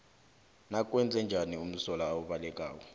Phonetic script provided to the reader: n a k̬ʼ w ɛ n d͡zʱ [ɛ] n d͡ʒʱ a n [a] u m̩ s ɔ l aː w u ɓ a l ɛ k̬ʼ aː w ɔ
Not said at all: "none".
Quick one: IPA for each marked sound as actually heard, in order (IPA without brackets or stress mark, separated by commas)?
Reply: ɛ, i